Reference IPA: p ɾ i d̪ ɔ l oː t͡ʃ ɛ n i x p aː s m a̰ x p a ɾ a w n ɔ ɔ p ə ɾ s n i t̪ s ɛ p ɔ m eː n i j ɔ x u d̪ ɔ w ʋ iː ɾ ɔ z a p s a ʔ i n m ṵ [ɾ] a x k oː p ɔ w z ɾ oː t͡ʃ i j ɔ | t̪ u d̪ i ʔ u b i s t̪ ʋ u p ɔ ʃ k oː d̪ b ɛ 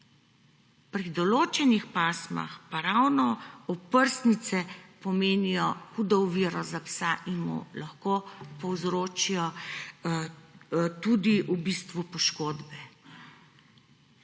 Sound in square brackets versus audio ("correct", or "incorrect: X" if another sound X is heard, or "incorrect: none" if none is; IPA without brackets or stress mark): incorrect: l